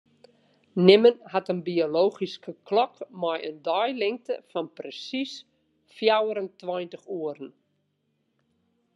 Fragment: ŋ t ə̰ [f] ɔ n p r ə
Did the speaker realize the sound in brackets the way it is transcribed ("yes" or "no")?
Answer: yes